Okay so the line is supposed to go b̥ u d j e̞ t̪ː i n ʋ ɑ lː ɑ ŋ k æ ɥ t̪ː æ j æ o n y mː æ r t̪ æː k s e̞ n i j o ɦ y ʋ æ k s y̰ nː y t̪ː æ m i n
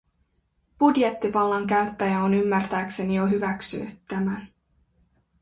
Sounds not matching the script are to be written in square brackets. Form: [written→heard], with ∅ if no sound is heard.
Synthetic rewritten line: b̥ u d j e̞ t̪ː i [n→∅] ʋ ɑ lː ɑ ŋ k æ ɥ t̪ː æ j æ o n y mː æ r t̪ æː k s e̞ n i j o ɦ y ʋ æ k s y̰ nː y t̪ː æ m [i→æ] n